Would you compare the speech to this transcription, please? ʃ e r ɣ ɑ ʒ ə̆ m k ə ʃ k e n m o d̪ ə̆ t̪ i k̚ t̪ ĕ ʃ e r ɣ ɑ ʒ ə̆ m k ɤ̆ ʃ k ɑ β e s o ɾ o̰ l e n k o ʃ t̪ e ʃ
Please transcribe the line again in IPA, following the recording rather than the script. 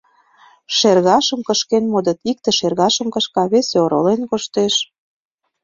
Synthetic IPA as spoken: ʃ e r ɣ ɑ ʃ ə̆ m k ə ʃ k e n m o d̪ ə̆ t̪ i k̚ t̪ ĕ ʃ e r ɣ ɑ ʃ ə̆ m k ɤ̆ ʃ k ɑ β e s o ɾ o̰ l e n k o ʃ t̪ e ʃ

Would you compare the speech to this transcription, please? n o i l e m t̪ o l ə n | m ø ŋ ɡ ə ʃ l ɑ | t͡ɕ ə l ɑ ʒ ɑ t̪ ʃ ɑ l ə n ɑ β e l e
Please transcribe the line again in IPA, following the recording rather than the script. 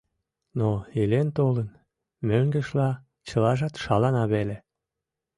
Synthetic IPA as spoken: n o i l e n t̪ o l ə n | m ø ŋ ɡ ə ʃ l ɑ | t͡ɕ ə l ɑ ʒ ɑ t̪ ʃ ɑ l ɑ n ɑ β e l e

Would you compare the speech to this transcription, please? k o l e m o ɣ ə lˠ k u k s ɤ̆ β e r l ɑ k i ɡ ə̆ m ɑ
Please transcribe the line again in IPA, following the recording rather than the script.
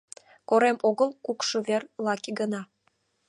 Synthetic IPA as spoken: k o ɾ e m o ɣ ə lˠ k u k ʃ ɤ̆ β e r l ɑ k i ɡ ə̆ n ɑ

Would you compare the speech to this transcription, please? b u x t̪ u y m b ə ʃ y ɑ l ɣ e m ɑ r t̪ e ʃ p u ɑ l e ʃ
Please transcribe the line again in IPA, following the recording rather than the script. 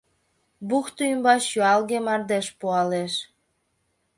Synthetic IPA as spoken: b u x t̪ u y m b ɑ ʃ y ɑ l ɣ e m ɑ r d̪ e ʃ p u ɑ l e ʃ

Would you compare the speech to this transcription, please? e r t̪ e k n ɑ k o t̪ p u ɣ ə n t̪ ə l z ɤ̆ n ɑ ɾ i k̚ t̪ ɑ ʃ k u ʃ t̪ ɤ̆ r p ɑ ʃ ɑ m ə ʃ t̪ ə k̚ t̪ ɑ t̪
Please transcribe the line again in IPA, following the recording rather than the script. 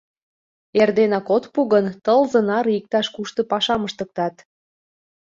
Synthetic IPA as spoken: e r d̪ e n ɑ k o t̪ p u ɣ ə n t̪ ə l z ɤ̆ n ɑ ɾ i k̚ t̪ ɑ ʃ k u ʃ t̪ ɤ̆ p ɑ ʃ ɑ m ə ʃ t̪ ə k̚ t̪ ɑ t̪

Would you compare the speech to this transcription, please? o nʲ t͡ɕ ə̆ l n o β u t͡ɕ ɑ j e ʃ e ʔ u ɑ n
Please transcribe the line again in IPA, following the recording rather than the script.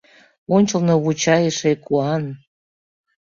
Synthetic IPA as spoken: o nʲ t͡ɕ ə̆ l n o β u t͡ɕ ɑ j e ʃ e k u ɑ n

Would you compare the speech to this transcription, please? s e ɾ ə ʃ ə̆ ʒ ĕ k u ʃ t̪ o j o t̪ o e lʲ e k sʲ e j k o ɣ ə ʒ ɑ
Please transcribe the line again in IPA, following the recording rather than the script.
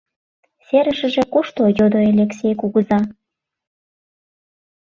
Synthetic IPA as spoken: s e ɾ ə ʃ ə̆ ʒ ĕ k u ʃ t̪ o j o d̪ o e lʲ e k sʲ e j k u ɣ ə z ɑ

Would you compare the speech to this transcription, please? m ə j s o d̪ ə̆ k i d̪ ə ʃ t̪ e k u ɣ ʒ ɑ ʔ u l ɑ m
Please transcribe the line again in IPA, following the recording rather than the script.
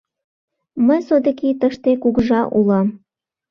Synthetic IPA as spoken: m ə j s o d̪ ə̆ k i t̪ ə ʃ t̪ e k u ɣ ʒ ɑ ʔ u l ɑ m

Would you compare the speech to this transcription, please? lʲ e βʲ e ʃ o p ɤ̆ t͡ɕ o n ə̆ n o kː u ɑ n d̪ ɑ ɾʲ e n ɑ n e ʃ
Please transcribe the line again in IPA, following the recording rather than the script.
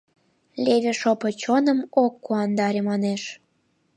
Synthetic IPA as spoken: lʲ e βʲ e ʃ o p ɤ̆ t͡ɕ o n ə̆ m o kː u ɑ n d̪ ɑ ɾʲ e m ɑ n e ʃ

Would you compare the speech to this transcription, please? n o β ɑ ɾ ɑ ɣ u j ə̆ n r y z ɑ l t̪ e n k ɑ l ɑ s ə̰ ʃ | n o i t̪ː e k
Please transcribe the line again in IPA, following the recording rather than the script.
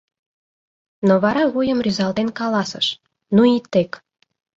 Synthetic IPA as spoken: n o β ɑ ɾ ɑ ɣ u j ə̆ m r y z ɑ l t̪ e n k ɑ l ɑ s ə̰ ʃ | n u i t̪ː e k

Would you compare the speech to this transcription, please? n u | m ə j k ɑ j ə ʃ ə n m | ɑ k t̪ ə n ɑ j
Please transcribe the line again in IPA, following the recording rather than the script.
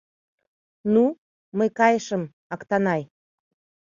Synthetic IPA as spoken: n u | m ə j k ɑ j ə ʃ ə m | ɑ k t̪ ɑ n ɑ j

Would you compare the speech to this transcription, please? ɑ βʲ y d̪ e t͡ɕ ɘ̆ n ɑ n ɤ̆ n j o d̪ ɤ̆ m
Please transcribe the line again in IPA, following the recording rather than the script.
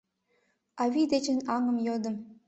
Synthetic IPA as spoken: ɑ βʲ i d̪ e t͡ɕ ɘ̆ n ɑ ŋ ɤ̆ m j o d̪ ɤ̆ m

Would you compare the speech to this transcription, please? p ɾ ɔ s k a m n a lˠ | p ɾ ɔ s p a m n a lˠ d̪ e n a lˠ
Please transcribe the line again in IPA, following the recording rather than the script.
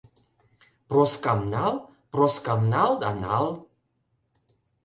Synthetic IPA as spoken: p ɾ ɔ s k a m n a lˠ | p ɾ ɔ s k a m n a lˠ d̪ a n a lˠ

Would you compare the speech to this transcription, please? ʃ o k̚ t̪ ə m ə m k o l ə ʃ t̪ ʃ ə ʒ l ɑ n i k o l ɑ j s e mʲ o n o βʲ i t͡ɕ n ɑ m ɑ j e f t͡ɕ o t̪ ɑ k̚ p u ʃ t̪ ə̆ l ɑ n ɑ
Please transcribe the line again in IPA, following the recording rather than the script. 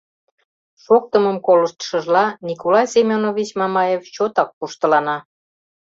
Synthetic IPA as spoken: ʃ o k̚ t̪ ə m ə m k o l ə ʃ t̪ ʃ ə ʒ l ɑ n i k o l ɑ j s e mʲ o n o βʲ i t͡ɕ m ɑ m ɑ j e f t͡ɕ o t̪ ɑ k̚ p u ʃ t̪ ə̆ l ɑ n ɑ

